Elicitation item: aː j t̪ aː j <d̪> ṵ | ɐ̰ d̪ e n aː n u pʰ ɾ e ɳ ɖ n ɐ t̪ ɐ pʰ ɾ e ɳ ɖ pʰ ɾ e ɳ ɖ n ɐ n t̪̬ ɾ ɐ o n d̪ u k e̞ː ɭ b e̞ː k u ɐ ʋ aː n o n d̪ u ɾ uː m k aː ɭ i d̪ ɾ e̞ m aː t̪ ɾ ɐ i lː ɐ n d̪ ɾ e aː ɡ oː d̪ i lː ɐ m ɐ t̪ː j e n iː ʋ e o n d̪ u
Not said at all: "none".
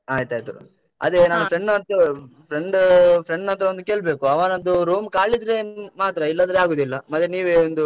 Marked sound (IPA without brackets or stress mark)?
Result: t̪